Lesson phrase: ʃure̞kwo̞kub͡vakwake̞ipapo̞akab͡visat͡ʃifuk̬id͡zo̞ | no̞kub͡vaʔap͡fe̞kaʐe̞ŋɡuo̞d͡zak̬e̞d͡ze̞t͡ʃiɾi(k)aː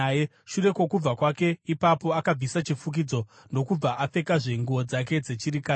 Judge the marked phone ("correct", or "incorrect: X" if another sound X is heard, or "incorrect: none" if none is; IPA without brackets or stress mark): correct